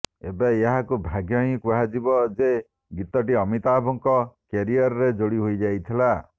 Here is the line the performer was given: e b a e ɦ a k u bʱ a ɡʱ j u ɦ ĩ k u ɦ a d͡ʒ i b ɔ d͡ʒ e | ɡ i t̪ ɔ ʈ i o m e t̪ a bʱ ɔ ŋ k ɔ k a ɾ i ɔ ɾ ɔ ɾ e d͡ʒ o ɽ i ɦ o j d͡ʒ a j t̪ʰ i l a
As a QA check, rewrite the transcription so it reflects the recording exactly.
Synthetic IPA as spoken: e b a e ɦ a k u bʱ a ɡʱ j ɔ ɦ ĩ k u ɦ a d͡ʒ i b ɔ d͡ʒ e | ɡ i t̪ ɔ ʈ i ɔ m i t̪ a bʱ ɔ ŋ k ɔ k e ɾ i ɔ ɾ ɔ ɾ e d͡ʒ o ɽ i ɦ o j d͡ʒ a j t̪ʰ i l a